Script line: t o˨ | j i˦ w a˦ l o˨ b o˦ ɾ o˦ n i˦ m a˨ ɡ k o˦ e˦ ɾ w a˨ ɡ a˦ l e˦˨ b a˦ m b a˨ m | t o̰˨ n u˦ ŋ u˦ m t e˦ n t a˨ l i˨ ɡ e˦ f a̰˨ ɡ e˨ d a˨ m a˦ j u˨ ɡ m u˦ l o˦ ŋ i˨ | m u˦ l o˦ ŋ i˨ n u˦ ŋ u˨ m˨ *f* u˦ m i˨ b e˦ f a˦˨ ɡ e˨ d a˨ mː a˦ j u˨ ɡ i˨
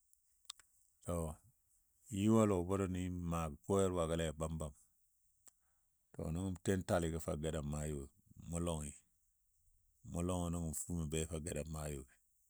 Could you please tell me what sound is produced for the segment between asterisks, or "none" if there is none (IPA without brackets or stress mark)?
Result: f